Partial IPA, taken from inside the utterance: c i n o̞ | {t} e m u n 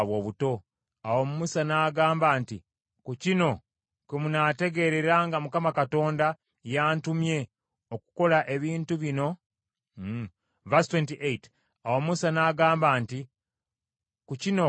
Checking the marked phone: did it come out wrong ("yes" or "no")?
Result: yes